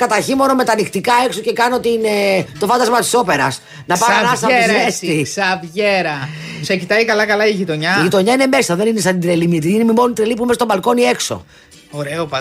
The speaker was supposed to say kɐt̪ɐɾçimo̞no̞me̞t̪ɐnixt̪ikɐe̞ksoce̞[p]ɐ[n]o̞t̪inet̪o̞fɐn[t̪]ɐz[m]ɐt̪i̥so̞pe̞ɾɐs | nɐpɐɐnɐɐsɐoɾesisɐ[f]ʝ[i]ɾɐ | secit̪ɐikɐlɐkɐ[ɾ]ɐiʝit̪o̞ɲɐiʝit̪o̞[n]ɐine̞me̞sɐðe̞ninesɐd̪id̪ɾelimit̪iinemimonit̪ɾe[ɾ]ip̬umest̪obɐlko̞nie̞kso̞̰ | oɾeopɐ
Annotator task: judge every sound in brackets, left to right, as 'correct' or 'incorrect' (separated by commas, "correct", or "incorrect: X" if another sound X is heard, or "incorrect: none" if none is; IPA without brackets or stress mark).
incorrect: k, correct, incorrect: d̪, correct, incorrect: v, incorrect: e, incorrect: l, incorrect: ɲ, incorrect: l